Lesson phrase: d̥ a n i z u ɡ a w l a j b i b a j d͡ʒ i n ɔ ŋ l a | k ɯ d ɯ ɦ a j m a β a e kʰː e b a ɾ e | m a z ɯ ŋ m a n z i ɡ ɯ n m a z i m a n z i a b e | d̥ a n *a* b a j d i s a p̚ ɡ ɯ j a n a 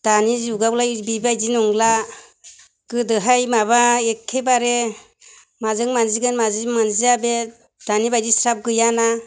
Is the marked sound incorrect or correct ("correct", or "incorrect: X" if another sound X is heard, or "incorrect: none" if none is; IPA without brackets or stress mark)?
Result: incorrect: i